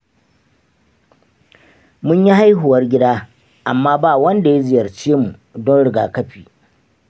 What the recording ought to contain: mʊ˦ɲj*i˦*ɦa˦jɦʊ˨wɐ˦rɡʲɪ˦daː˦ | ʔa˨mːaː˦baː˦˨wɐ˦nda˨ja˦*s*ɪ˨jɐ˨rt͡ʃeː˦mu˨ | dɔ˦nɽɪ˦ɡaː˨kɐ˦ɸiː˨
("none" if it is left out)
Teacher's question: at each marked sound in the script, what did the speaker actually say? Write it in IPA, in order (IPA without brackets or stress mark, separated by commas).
i˦, z